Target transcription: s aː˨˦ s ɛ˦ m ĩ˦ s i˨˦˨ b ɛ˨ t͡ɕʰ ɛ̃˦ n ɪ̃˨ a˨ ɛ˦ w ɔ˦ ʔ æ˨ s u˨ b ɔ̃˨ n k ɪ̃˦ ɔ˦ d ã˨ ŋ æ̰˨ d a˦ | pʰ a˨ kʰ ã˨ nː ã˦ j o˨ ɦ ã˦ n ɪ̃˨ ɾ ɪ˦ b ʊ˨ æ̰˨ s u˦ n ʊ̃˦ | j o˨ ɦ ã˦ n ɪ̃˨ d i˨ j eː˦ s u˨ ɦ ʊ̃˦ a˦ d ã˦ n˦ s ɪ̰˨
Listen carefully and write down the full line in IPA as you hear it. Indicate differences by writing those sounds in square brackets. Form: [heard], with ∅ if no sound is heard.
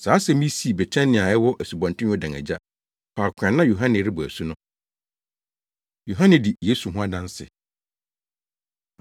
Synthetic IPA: s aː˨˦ s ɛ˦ m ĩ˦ s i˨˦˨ b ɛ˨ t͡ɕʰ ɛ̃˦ n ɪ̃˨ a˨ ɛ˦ w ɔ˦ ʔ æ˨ s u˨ b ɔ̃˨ n [t] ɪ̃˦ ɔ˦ d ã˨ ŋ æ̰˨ [d͡ʑ] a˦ | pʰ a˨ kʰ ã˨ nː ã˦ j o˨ ɦ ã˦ n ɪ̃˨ ɾ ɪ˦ b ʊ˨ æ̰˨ s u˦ n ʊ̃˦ | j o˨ ɦ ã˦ n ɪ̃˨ d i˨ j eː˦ s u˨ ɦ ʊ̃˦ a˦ d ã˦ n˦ s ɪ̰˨